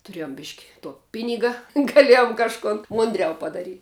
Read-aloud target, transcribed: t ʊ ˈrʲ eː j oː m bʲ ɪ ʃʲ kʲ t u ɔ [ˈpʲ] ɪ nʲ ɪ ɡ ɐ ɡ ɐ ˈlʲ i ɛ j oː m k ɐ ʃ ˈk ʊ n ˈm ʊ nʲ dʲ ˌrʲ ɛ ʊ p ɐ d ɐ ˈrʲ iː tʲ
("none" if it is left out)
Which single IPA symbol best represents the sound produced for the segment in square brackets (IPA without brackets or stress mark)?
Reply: pʲ